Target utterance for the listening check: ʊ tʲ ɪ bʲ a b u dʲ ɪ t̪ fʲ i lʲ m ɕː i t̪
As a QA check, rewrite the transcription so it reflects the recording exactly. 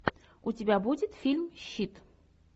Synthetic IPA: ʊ tʲ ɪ bʲ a b u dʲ ɪ t̪ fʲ i lʲ m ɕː i t̪